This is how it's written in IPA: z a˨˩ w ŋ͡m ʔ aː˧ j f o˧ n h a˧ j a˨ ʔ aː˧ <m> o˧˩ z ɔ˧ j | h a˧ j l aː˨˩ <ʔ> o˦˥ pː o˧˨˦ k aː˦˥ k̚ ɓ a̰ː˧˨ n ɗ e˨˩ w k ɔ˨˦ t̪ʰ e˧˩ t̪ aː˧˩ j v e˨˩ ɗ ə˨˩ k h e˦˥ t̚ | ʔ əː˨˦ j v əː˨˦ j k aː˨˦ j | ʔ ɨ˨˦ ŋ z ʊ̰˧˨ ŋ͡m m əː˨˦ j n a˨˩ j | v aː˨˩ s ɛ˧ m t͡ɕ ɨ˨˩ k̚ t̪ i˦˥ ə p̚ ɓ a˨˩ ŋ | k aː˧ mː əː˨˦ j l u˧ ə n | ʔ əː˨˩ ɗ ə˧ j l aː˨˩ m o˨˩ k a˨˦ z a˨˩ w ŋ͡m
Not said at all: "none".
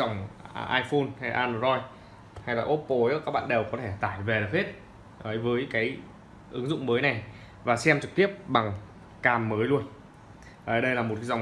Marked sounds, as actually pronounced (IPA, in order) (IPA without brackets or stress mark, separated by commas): n, ʔ